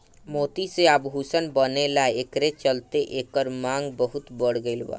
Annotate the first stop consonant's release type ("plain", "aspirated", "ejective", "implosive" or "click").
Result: plain